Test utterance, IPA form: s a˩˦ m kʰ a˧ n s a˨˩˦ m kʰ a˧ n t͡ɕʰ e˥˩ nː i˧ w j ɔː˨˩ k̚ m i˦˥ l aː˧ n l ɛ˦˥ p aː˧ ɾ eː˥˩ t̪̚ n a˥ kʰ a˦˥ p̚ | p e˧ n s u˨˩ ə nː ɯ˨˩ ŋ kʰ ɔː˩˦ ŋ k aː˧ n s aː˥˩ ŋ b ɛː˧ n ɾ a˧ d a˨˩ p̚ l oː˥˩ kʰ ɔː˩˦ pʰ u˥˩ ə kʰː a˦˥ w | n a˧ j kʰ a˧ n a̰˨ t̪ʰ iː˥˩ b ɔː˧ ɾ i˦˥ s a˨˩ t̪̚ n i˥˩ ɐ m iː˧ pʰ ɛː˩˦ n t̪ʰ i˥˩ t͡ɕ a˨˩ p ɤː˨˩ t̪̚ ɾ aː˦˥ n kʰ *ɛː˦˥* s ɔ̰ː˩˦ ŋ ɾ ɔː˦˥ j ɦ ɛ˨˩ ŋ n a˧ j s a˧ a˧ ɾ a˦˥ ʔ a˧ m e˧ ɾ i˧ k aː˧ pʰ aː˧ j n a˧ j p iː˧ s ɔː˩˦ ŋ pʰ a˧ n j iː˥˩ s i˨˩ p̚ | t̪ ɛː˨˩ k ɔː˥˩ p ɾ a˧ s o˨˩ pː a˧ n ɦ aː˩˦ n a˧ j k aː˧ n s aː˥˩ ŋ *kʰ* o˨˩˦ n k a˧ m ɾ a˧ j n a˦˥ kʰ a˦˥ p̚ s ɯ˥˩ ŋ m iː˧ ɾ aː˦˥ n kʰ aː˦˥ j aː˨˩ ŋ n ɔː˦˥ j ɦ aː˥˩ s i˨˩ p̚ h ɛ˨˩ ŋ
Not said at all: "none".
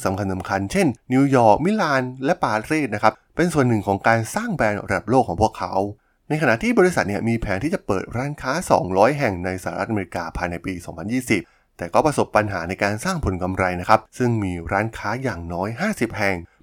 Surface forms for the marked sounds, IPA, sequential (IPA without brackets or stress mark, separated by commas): aː˦˥, pʰ